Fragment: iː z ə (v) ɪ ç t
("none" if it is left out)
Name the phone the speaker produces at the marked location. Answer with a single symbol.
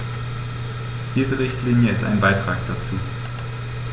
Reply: ʁ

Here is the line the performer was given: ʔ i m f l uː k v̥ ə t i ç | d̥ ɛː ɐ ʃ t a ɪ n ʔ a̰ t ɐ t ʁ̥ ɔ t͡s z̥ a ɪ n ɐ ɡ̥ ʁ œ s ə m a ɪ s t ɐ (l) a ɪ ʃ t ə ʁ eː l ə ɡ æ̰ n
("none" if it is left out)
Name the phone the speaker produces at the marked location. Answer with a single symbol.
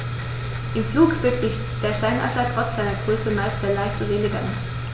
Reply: l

